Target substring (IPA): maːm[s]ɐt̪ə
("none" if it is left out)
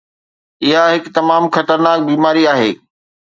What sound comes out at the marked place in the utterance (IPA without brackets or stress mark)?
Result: x